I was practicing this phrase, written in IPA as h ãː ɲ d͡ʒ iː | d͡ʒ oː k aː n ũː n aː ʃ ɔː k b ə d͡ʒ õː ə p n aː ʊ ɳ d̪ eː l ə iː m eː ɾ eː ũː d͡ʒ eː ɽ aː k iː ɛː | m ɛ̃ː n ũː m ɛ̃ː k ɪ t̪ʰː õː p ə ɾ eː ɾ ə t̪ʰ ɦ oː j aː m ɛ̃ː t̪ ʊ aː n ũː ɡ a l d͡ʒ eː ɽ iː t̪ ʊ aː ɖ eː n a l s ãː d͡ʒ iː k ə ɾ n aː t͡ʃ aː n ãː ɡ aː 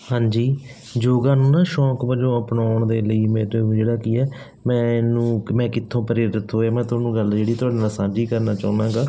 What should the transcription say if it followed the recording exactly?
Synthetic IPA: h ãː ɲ d͡ʒ iː | d͡ʒ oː ɡ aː n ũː n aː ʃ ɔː k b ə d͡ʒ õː ə p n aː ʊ ɳ d̪ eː l ə iː m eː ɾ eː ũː d͡ʒ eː ɽ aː k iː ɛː | m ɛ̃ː n ũː m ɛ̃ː k ɪ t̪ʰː õː p ə ɾ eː ɾ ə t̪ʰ ɦ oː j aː m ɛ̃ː t̪ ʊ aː n ũː ɡ ə l d͡ʒ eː ɽ iː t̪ ʊ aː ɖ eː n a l s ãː d͡ʒ iː k ə ɾ n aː t͡ʃ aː n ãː ɡ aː

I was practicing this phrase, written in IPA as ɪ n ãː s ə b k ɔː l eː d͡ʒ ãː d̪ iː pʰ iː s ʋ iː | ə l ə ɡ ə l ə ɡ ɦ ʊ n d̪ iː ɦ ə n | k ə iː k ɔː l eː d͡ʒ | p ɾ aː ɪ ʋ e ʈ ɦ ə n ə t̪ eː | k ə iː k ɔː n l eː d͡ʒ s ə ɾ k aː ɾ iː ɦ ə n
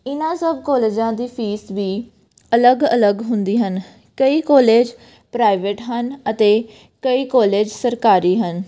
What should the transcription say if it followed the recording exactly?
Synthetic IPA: ɪ n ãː s ə b k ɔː l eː d͡ʒ ãː d̪ iː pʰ iː s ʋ iː | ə l ə ɡ ə l ə ɡ ɦ ʊ n d̪ iː ɦ ə n | k ə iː k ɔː l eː d͡ʒ | p ɾ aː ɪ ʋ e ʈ ɦ ə n ə t̪ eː | k ə iː k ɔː l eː d͡ʒ s ə ɾ k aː ɾ iː ɦ ə n

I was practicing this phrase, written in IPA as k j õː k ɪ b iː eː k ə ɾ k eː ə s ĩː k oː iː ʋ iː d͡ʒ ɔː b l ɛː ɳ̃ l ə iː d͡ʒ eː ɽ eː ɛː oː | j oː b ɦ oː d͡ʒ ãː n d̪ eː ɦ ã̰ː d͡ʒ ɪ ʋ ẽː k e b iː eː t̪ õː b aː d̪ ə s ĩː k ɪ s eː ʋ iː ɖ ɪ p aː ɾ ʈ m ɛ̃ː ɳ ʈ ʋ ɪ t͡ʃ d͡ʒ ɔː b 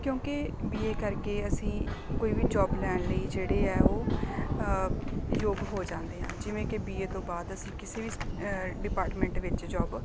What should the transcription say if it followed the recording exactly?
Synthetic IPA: k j õː k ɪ b iː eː k ə ɾ k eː ə s ĩː k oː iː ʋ iː d͡ʒ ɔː b l ɛː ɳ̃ l ə iː d͡ʒ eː ɽ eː ɛː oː | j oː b ɦ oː d͡ʒ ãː n d̪ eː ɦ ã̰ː d͡ʒ ɪ ʋ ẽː k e b iː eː t̪ õː b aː d̪ ə s ĩː k ɪ s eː ʋ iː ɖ ɪ p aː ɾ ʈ m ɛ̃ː ɳ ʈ ʋ ɪ t͡ʃ d͡ʒ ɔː b

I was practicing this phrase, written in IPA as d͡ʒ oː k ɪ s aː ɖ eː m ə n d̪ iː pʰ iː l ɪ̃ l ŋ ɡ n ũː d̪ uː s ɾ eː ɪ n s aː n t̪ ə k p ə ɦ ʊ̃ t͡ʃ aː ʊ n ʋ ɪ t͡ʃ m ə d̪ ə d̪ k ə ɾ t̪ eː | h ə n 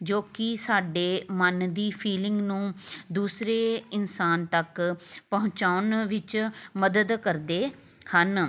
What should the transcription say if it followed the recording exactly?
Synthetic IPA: d͡ʒ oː k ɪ s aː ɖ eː m ə n d̪ iː pʰ iː l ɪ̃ ŋ ɡ n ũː d̪ uː s ɾ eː ɪ n s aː n t̪ ə k p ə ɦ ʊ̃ t͡ʃ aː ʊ n ʋ ɪ t͡ʃ m ə d̪ ə d̪ k ə ɾ d̪ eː | h ə n

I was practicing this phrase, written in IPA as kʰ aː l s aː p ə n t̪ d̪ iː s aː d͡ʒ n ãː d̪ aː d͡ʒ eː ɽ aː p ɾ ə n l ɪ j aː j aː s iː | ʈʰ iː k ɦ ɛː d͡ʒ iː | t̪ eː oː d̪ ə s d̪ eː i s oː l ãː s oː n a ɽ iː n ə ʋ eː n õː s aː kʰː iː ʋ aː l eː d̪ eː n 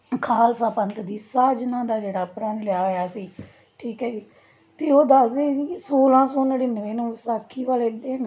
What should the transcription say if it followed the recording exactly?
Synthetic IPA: kʰ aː l s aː p ə n t̪ d̪ iː s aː d͡ʒ n ãː d̪ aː d͡ʒ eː ɽ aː p ɾ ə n l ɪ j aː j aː s iː | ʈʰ iː k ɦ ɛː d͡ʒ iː | t̪ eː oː d̪ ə s d̪ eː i s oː l ãː s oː n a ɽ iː n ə ʋ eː n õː s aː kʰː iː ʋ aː l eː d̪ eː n

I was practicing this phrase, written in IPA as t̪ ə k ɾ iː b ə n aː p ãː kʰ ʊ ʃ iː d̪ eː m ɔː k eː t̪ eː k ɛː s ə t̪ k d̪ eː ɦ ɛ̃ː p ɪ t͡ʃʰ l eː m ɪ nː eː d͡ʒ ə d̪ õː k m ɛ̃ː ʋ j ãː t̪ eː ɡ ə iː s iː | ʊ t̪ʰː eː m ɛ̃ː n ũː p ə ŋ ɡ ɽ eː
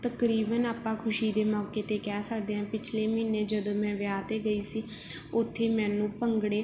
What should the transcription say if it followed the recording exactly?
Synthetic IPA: t̪ ə k ɾ iː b ə n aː p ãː kʰ ʊ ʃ iː d̪ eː m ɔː k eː t̪ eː k ɛː s ə k d̪ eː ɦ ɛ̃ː p ɪ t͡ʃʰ l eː m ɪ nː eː d͡ʒ ə d̪ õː m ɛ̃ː ʋ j aː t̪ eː ɡ ə iː s iː | ʊ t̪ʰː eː m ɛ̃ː n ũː p ə ŋ ɡ ɽ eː

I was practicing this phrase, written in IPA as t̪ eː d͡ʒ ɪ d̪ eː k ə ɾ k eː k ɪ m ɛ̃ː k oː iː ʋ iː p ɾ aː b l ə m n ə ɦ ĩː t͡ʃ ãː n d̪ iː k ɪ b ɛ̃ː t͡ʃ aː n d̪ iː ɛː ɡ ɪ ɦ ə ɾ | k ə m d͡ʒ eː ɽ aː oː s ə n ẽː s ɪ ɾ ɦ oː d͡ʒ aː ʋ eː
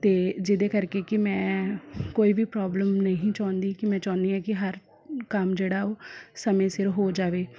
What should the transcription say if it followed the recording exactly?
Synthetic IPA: t̪ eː d͡ʒ ɪ d̪ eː k ə ɾ k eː k ɪ m ɛ̃ː k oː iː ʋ iː p ɾ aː b l ə m n ə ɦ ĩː t͡ʃ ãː n d̪ iː k ɪ m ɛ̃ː t͡ʃ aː n d̪ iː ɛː k ɪ ɦ ə ɾ | k ə m d͡ʒ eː ɽ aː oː s ə m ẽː s ɪ ɾ ɦ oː d͡ʒ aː ʋ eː

